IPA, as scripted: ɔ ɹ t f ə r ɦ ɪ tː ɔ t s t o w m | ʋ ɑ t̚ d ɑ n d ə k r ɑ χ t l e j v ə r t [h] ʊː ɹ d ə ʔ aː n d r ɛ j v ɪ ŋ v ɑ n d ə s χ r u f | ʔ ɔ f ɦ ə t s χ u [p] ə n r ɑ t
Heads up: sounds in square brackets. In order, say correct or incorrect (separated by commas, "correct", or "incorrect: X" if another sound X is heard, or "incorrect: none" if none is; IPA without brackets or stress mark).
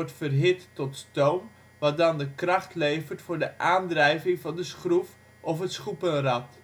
incorrect: f, correct